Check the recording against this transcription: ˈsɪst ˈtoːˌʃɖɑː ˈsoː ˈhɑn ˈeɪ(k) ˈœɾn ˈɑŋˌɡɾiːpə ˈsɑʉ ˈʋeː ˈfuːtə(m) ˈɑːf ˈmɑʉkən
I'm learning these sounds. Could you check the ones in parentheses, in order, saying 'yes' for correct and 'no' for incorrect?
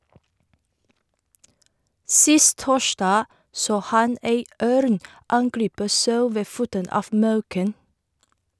no, no

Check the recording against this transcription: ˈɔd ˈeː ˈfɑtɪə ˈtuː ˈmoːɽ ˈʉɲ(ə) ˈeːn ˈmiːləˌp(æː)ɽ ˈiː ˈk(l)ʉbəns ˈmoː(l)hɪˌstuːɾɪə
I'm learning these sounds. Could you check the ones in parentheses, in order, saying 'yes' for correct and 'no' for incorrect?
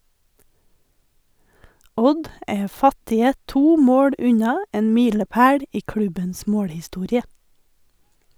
no, yes, no, no

